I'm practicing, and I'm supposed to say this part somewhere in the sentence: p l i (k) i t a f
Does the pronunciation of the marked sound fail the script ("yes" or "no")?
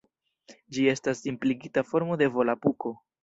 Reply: yes